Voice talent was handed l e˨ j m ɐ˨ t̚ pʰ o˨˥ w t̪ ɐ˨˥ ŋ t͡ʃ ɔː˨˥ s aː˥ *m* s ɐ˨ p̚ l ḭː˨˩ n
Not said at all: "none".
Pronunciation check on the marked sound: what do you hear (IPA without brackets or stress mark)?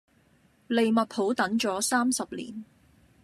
m